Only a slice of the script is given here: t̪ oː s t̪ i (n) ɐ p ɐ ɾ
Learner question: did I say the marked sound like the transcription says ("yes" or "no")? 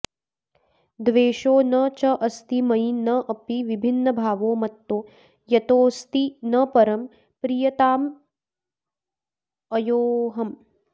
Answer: yes